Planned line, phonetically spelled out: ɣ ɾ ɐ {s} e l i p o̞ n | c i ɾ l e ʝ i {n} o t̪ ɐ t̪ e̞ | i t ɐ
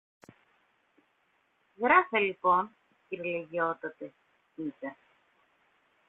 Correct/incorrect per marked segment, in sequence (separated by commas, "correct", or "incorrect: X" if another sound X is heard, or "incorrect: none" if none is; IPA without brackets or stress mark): incorrect: f, incorrect: none